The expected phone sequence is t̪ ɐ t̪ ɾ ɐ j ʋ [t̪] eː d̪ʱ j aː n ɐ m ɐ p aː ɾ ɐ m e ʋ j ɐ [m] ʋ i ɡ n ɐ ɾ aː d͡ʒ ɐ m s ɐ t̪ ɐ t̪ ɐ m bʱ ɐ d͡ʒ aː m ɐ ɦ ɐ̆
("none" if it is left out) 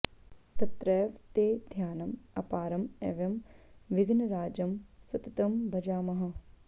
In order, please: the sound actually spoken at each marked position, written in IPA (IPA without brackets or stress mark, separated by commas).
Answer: t̪, m